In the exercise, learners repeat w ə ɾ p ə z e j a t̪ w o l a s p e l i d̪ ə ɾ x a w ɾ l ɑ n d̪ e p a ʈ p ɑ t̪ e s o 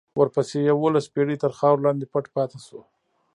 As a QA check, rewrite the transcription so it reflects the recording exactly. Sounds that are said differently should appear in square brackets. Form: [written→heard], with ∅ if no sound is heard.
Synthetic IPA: w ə ɾ p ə [z→s] e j a [t̪→∅] w o l a s p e [l→ɽ] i [d̪→t̪] ə ɾ x [a→ɑ] w ɾ l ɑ n d̪ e p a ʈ p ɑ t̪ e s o